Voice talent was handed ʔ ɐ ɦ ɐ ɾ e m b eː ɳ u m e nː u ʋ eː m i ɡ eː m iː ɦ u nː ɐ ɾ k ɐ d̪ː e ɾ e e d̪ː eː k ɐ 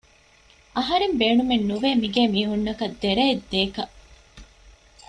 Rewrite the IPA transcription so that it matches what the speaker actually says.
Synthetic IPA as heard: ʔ ɐ ɦ ɐ ɾ e m b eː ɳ u m e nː u ʋ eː m i ɡ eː m iː ɦ u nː ɐ k ɐ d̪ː e ɾ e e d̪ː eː k ɐ